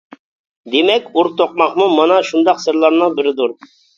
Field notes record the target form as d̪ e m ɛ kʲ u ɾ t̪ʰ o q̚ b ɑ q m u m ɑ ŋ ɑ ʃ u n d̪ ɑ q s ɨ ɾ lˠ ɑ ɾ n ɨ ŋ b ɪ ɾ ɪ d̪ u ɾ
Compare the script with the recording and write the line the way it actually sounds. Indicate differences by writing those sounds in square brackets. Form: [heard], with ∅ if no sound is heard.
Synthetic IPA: d̪ e m ɛ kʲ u ɾ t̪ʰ o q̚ [m] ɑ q m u m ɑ [n] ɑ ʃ u n d̪ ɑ q s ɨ ɾ lˠ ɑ ɾ n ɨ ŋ b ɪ ɾ ɪ d̪ u ɾ